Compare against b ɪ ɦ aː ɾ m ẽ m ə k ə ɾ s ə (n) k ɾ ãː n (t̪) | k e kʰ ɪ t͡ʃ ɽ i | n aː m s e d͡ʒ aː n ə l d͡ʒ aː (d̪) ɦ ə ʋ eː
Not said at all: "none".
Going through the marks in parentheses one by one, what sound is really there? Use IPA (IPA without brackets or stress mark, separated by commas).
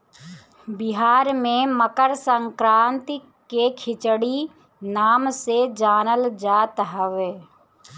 ŋ, t̪, t̪